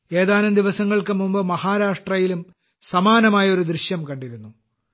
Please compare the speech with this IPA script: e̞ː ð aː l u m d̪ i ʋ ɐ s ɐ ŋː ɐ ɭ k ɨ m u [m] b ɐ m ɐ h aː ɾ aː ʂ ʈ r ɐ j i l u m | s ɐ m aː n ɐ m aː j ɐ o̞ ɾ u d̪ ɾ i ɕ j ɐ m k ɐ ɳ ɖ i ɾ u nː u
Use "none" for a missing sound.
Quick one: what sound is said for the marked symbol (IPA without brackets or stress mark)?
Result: m